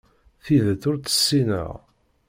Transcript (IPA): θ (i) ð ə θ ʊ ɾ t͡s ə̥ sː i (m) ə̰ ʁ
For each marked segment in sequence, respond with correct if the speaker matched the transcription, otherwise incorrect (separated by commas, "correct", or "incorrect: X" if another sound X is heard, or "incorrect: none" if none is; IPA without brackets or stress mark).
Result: correct, incorrect: n